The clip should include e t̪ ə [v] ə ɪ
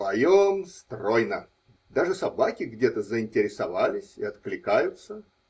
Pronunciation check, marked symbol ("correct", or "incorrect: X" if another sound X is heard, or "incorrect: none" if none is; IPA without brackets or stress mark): incorrect: z